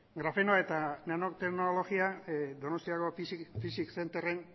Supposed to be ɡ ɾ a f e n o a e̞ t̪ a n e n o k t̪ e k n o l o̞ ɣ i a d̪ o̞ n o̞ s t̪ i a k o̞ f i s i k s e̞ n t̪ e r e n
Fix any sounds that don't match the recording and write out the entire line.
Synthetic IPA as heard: ɡ ɾ a f e n o a e̞ t̪ a n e n o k t̪ e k n o l o̞ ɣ i a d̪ o̞ n o̞ s t̪ i a k o̞ f i s i k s e̞ n t̪ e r e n